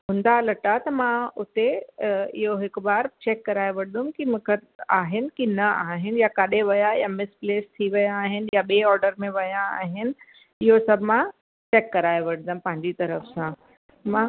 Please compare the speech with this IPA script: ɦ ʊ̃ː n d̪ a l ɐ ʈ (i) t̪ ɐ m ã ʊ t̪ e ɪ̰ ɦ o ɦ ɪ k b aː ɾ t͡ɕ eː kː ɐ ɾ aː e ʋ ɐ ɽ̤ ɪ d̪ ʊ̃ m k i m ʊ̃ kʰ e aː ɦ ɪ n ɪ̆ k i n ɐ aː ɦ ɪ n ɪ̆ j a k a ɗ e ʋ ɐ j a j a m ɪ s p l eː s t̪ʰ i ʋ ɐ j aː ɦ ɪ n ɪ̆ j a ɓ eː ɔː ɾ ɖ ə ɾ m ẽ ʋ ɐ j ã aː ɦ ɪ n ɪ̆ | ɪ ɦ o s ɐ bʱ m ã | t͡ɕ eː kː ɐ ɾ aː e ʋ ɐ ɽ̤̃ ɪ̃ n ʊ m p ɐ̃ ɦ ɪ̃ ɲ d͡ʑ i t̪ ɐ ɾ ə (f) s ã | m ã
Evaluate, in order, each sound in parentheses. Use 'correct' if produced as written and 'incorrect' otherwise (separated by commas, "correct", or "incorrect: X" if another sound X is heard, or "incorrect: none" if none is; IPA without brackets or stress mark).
incorrect: a, correct